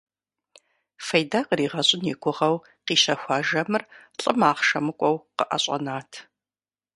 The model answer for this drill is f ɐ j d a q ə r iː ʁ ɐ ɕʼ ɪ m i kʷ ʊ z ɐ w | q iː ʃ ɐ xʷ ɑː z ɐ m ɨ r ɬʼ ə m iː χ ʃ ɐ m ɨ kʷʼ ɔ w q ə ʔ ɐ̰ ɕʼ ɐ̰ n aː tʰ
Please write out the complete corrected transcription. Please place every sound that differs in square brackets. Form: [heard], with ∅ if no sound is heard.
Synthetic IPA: f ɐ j d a q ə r iː ʁ ɐ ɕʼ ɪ [n] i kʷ ʊ [ʁ] ɐ w | q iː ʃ ɐ xʷ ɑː [ʒ] ɐ m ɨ r ɬʼ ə m [aː] χ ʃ ɐ m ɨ kʷʼ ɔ w q ə ʔ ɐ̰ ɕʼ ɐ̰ n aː tʰ